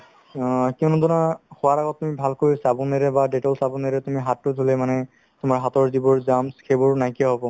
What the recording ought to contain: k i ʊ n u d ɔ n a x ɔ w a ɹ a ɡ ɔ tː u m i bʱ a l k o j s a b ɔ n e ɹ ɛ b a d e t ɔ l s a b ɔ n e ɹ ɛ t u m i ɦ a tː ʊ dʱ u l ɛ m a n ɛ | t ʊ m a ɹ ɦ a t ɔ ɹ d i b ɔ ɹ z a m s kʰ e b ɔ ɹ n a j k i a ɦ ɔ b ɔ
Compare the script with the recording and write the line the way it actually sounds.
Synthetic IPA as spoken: k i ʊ n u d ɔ n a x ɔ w a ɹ a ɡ ɔ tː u m i bʱ a l k o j s a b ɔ n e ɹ ɛ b a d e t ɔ l s a b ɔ n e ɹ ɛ t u m i ɦ a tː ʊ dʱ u l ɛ m a n ɛ | t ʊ m a ɹ ɦ a t ɔ ɹ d i b ɔ ɹ z a m s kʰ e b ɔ ɹ n a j k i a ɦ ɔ b ɔ